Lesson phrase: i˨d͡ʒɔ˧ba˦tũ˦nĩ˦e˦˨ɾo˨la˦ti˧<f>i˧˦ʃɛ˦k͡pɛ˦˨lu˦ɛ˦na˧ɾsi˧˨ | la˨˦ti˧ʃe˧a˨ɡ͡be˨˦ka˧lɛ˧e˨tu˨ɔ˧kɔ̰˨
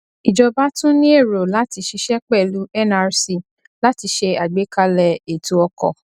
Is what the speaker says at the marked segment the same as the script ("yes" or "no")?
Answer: no